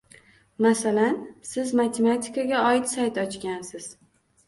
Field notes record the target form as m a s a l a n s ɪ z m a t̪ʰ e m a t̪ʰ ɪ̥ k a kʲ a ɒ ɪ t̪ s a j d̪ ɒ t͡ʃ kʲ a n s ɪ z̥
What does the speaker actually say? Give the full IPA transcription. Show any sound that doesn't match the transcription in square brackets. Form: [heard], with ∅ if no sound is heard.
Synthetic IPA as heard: m a s a l a n s ɪ z m a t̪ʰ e m a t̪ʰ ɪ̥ k a [ɡʲ] a ɒ ɪ t̪ s a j [t̪] ɒ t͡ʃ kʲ a n s ɪ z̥